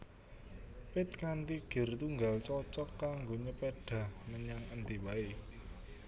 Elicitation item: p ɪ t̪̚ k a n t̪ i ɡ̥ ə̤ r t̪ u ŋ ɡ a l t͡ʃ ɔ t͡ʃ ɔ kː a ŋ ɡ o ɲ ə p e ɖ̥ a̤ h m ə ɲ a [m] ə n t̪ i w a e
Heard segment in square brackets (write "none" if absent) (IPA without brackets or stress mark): ŋ